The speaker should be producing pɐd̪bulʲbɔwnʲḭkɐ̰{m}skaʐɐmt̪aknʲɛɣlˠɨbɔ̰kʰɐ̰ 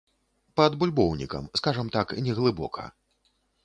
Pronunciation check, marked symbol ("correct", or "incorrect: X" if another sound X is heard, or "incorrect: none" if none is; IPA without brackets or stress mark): correct